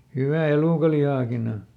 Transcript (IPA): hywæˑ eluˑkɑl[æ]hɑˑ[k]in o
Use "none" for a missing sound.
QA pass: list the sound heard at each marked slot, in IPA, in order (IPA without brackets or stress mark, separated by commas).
i, k